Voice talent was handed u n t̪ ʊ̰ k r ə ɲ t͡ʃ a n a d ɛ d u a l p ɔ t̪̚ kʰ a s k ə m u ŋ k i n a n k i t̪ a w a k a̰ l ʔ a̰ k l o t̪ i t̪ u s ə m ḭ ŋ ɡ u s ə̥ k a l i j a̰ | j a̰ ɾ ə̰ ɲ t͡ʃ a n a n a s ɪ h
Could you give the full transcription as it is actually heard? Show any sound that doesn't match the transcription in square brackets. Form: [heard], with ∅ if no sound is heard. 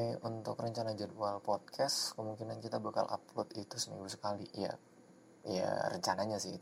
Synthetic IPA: u n t̪ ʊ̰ k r ə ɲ t͡ʃ a n a [d͡ʒ] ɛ d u a l p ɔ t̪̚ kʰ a s k ə m u ŋ k i n a n k i t̪ a [b] a k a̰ l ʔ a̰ [p] l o t̪ i t̪ u s ə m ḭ ŋ ɡ u s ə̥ k a l i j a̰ | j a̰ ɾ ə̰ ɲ t͡ʃ a n a [ɲ] a s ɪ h